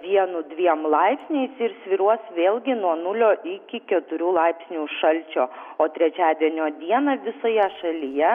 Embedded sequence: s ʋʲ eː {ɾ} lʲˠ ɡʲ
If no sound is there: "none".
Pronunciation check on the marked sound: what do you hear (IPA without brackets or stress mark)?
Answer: none